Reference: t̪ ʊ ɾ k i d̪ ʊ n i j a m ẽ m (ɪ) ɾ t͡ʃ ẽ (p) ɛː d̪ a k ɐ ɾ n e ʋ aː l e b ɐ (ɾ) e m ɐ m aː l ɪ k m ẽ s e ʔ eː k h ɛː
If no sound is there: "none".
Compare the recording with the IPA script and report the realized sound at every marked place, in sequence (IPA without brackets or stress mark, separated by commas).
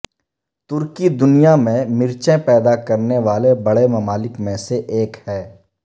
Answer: ɪ, p, ɽ